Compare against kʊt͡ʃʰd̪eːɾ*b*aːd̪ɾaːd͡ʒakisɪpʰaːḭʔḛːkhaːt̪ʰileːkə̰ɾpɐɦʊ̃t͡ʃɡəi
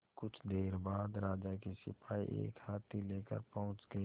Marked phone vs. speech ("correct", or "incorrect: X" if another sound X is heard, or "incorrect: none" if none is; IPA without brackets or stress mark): correct